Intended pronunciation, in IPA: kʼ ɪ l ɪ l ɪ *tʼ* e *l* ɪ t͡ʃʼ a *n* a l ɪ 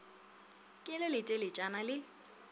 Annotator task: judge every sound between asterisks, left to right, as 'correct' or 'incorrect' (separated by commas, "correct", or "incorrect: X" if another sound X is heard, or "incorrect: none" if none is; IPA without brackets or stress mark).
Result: correct, correct, correct